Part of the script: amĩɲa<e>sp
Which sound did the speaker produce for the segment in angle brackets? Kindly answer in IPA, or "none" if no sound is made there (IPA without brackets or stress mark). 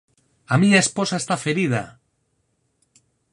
e